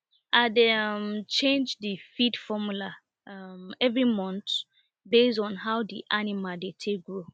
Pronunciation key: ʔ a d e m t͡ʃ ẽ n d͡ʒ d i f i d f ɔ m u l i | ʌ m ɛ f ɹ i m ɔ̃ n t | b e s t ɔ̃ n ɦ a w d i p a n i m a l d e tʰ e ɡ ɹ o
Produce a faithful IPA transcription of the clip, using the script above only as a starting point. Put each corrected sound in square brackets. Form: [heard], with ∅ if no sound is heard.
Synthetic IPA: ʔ a d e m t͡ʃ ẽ n d͡ʒ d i f i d f ɔ m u l [a] | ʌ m ɛ [v] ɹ i m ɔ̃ n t | b e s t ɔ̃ n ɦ a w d i [ʔ] a n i m a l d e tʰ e ɡ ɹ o